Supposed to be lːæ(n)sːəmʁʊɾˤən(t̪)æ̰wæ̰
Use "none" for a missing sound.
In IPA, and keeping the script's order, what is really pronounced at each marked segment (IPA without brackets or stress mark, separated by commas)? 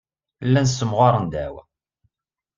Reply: n, d̪